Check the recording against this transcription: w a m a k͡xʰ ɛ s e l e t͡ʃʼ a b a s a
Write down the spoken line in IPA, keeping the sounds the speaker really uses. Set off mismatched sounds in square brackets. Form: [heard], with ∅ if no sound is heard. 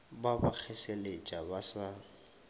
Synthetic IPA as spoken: [b] a [b] a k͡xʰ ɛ s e l e t͡ʃʼ a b a s a

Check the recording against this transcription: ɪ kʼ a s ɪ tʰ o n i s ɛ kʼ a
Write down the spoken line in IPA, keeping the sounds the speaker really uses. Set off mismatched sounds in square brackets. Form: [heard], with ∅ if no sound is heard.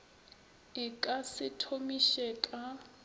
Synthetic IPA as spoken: ɪ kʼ a s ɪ tʰ o [m] i [ʃ] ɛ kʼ a

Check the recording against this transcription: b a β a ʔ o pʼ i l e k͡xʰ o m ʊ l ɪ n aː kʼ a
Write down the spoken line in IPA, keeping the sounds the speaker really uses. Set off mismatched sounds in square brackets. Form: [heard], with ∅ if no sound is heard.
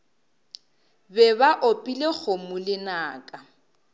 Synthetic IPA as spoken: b [ɛ] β a ʔ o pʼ i l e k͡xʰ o m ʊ l ɪ n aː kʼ a

